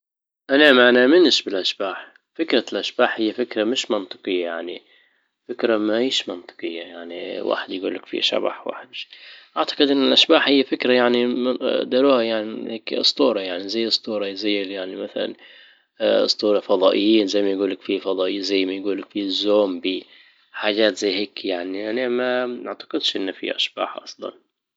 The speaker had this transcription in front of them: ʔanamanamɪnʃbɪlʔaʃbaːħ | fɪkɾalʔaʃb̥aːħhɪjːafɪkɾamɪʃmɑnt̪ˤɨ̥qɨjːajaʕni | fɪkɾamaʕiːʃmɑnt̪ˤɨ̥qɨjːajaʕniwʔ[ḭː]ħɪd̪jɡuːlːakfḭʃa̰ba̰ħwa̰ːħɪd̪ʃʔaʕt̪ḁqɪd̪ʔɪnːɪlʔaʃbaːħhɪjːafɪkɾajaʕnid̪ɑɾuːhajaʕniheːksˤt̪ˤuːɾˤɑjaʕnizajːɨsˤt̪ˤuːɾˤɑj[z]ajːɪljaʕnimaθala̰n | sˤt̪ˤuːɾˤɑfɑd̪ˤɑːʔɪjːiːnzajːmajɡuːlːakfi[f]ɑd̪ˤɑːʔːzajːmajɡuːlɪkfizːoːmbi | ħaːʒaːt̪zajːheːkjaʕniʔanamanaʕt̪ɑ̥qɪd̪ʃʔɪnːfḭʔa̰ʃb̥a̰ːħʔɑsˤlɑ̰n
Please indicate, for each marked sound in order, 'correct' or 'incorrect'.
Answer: incorrect, correct, correct

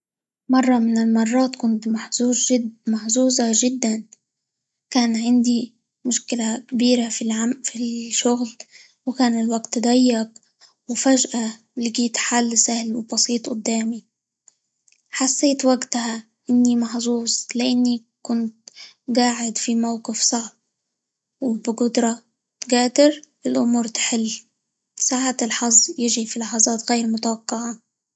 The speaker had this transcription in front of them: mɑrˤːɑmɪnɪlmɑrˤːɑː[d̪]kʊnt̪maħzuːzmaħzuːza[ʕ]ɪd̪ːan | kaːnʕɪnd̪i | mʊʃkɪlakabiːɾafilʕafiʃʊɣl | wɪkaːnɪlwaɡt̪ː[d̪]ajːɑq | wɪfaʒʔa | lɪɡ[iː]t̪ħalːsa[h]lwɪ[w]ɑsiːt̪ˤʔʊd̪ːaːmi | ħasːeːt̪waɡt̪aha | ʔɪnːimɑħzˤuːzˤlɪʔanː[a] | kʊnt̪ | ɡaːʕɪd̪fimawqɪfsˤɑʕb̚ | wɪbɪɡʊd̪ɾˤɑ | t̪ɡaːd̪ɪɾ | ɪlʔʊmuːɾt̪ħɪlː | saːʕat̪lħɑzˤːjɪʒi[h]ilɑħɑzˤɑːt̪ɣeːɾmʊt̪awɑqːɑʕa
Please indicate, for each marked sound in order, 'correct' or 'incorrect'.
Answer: incorrect, incorrect, correct, correct, correct, incorrect, incorrect, incorrect

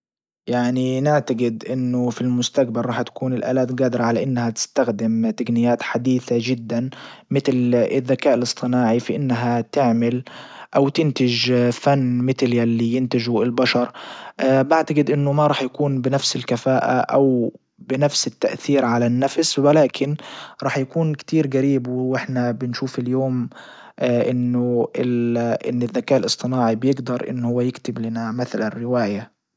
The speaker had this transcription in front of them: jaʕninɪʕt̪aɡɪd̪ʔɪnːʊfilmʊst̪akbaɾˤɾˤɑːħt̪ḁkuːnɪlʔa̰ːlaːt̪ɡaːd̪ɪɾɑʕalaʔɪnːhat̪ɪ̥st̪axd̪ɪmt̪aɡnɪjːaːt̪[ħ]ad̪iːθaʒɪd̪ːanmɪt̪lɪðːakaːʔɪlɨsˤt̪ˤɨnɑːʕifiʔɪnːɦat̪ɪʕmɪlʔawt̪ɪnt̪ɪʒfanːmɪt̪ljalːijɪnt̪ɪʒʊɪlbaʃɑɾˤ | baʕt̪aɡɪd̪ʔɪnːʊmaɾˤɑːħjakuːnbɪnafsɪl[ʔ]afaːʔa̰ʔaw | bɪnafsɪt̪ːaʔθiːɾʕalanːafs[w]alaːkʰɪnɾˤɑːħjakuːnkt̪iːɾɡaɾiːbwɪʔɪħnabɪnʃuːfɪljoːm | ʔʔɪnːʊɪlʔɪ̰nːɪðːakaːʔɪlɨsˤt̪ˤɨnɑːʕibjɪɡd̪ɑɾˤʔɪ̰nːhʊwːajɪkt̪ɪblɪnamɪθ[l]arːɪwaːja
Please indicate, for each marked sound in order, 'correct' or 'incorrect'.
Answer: correct, incorrect, correct, correct

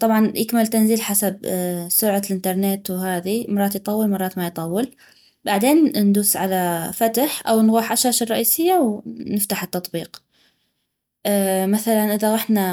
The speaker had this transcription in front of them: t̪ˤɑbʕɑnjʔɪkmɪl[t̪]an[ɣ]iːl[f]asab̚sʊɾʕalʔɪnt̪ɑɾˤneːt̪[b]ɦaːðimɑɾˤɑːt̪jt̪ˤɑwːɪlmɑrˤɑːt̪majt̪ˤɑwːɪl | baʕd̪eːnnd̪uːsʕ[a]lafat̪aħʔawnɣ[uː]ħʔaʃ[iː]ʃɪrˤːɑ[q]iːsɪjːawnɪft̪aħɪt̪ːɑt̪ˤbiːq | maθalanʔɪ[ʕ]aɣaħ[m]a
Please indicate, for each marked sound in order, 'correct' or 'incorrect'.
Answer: correct, incorrect, incorrect, incorrect, correct, correct, incorrect, incorrect, incorrect, incorrect

